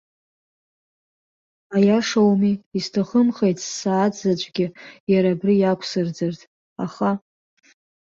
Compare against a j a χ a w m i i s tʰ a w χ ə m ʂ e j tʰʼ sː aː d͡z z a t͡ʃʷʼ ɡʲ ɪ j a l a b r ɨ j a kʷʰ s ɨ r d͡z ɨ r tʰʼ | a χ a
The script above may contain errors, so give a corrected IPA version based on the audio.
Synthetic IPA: a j a ʂ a w m i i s tʰ a χ ə m χ e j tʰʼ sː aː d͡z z a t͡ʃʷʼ ɡʲ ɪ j a ɾ a b r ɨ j a kʷʰ s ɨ r d͡z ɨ r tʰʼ | a χ a